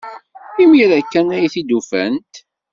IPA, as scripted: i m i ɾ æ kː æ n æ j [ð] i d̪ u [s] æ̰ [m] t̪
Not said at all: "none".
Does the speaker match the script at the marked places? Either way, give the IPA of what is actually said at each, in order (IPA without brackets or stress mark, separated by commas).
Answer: θ, f, n